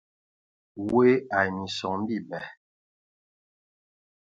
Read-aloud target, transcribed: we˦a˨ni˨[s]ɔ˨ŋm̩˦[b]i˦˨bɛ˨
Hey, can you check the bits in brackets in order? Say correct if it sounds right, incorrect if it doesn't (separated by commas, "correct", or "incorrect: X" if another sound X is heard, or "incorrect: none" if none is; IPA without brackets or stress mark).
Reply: correct, correct